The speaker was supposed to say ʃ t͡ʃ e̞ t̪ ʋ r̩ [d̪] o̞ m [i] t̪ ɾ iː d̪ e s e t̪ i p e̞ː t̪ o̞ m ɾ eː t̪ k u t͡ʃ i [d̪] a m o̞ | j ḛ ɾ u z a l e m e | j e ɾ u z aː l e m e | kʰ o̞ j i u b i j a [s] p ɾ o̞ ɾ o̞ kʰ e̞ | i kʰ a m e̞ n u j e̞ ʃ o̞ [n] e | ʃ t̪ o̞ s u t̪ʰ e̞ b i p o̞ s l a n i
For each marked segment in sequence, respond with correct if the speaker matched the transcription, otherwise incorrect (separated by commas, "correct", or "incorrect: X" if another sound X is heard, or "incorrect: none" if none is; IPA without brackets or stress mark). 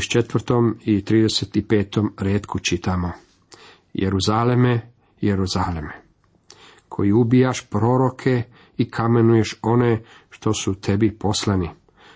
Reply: incorrect: t̪, correct, incorrect: t̪, incorrect: ʃ, correct